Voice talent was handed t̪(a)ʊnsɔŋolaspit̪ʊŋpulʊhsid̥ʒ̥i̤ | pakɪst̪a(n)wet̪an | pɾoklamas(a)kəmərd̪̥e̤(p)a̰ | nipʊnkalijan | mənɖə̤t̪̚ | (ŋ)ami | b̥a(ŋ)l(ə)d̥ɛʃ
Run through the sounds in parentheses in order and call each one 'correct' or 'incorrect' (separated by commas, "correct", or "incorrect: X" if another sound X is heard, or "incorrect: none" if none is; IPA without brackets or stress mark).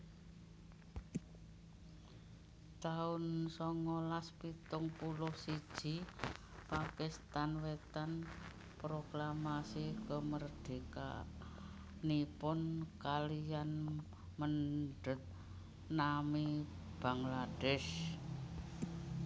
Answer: correct, correct, incorrect: i, incorrect: k, incorrect: n, correct, incorrect: a